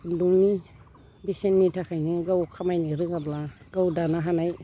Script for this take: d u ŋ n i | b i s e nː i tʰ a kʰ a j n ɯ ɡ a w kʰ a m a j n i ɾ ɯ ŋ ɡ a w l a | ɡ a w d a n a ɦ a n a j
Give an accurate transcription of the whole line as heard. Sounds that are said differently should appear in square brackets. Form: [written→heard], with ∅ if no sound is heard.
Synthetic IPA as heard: d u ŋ n i | b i s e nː i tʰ a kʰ a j n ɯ ɡ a w kʰ a m a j n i ɾ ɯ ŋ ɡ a [w→b] l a | ɡ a w d a n a ɦ a n a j